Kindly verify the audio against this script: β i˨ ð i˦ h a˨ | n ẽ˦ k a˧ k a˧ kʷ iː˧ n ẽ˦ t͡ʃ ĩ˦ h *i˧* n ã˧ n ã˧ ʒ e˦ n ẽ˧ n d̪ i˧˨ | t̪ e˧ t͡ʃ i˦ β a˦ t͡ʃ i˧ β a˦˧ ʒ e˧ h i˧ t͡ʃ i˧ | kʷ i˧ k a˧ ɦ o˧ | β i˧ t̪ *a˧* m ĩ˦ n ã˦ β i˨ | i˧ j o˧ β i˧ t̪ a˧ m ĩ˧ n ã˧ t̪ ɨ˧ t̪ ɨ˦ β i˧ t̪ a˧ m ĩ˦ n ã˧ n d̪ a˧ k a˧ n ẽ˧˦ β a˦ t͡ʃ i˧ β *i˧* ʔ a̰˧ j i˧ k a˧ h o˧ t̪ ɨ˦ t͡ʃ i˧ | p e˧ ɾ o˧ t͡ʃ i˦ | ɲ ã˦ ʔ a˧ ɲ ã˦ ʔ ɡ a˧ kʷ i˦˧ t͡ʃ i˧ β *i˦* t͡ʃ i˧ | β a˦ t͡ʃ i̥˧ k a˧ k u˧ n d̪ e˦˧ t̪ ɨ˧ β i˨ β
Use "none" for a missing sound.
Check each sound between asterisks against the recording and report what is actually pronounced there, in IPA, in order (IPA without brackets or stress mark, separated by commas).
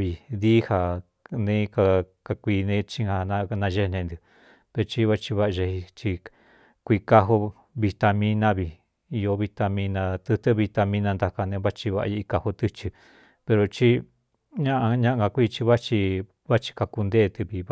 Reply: a˧, a˧, a˧, a˦